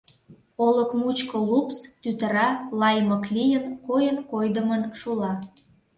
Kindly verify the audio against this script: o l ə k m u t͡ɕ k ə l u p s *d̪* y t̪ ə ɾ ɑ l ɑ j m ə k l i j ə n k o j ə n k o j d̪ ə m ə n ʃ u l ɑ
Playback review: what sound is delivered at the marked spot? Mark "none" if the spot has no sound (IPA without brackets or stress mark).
t̪